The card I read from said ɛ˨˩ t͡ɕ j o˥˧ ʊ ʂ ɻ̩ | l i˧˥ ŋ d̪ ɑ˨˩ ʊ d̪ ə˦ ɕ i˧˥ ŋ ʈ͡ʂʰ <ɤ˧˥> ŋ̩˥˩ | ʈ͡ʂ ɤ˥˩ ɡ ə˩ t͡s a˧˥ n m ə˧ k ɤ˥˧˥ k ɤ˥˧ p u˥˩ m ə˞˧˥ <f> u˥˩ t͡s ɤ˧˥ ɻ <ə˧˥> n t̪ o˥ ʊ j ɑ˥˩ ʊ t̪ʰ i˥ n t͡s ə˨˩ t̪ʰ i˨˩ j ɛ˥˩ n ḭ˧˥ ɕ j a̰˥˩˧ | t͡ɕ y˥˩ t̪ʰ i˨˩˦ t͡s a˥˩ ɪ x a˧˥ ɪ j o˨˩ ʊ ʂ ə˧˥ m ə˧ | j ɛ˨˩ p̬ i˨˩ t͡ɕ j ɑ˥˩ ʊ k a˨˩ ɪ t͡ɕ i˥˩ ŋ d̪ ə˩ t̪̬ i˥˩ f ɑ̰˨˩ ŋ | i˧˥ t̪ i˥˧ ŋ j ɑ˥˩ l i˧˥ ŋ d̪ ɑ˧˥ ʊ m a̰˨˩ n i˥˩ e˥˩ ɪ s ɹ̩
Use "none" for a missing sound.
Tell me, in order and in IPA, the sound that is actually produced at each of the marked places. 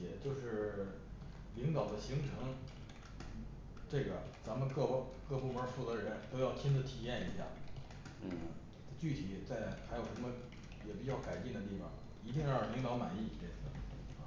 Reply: ɤ˧˥, f, ə˧˥

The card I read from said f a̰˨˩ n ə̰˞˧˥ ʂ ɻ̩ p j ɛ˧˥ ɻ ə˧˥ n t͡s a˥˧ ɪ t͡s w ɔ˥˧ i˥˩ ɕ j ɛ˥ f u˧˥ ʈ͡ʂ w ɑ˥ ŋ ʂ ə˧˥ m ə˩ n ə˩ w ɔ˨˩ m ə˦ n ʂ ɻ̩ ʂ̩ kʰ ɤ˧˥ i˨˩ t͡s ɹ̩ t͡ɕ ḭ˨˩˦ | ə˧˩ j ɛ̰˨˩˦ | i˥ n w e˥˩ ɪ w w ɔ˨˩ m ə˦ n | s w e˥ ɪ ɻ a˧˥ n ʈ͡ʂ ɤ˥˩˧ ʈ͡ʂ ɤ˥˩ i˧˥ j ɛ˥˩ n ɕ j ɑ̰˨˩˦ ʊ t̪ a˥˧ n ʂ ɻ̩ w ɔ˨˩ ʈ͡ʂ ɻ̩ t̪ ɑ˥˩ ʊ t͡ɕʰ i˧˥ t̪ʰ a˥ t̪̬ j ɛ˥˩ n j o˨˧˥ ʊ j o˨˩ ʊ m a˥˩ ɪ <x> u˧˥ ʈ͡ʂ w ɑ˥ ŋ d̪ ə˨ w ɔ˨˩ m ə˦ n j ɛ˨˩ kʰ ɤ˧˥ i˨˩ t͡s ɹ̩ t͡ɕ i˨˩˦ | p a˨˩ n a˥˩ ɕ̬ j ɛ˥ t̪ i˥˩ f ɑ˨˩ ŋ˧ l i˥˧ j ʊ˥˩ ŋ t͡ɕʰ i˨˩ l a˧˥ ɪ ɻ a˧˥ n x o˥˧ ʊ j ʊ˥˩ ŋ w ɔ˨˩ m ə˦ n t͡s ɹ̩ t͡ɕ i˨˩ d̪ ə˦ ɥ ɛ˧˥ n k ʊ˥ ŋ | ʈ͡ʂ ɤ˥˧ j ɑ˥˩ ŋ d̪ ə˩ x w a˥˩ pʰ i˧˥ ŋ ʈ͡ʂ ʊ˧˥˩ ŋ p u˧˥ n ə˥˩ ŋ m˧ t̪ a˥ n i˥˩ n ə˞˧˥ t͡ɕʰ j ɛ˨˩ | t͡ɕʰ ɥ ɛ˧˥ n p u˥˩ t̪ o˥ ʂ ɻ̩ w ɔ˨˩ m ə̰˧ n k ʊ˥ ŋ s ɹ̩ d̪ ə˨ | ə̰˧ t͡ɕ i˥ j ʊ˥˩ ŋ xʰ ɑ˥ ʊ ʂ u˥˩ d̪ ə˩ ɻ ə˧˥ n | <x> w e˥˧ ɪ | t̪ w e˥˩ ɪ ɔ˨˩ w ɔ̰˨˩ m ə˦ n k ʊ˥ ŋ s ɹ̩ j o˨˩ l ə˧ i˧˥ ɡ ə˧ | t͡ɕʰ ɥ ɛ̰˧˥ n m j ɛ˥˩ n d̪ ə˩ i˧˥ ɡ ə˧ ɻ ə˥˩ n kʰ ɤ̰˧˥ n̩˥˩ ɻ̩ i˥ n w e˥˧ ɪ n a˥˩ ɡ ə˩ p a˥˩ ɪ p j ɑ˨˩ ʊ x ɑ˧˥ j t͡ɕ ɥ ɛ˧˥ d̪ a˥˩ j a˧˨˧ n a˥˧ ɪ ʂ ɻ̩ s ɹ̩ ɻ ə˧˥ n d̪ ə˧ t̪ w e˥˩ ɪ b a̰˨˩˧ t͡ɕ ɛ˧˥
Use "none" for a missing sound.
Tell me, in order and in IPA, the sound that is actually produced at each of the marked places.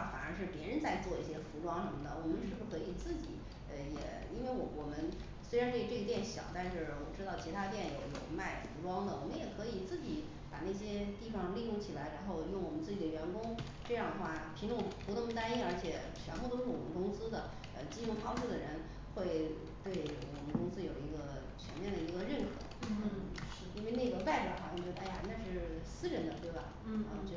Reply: f, x

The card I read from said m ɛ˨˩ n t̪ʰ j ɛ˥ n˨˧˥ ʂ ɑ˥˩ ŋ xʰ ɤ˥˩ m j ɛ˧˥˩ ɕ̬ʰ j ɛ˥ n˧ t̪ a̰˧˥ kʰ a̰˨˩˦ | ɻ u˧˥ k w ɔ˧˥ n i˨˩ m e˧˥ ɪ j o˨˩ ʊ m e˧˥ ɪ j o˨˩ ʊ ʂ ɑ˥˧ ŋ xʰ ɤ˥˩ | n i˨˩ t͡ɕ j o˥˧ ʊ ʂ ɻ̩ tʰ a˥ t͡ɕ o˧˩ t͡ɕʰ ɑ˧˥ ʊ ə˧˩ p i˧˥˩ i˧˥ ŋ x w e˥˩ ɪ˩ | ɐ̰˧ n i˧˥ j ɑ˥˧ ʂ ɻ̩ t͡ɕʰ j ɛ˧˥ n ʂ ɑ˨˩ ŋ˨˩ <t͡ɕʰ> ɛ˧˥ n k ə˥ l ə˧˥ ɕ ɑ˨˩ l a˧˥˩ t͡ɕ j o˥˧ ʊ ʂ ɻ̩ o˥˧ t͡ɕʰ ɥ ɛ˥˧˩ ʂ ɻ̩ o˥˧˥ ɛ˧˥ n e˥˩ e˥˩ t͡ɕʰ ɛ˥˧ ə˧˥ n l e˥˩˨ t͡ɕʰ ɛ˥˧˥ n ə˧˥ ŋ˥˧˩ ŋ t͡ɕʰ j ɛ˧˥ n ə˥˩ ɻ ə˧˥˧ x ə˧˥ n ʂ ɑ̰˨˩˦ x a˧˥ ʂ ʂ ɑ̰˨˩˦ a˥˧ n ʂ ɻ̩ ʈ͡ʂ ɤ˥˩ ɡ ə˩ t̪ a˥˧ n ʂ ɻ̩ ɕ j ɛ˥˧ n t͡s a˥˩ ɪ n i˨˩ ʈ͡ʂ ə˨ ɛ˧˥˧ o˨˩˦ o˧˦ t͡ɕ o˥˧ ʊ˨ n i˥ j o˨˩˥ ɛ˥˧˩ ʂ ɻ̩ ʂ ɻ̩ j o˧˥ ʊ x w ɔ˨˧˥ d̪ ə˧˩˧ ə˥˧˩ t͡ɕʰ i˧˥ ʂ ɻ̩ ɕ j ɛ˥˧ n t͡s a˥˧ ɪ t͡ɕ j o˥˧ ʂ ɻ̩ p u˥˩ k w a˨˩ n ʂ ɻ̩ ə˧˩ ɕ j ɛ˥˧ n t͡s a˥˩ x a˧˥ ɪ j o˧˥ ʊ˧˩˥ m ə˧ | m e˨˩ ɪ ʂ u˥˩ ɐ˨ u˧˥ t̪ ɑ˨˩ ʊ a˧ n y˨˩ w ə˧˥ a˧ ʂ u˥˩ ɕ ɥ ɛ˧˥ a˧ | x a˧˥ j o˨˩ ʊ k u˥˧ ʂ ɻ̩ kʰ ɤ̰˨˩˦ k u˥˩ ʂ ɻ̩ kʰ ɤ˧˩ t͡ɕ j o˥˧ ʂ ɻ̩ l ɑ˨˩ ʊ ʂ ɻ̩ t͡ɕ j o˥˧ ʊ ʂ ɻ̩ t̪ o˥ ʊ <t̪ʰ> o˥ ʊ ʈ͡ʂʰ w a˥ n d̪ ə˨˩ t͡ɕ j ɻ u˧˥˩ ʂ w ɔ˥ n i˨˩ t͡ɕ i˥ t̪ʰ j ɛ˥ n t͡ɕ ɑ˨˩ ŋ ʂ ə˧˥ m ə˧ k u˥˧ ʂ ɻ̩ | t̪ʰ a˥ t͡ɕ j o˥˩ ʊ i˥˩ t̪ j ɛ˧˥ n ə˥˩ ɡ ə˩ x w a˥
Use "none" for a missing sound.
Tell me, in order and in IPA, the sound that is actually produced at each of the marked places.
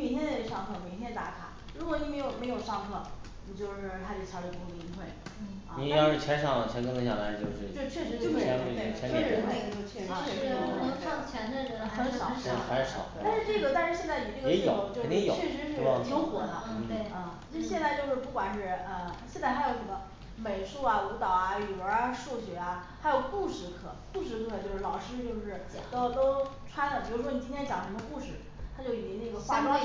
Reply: t͡ɕʰ, t̪

